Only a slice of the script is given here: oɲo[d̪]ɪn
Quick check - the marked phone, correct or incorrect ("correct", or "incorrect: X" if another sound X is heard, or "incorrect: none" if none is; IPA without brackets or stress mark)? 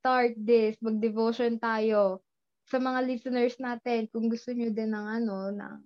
correct